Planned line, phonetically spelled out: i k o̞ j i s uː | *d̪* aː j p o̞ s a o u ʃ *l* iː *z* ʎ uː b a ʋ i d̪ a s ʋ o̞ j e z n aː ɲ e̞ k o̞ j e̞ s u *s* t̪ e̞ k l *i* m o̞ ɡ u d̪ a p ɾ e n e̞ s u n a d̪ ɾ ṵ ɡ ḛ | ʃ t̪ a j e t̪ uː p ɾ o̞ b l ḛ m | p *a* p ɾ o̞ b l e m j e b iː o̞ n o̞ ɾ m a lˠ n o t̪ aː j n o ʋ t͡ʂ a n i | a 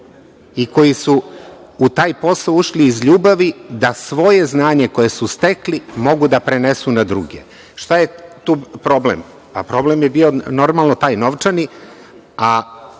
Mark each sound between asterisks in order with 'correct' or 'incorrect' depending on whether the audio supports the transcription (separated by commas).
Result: incorrect, correct, correct, correct, correct, correct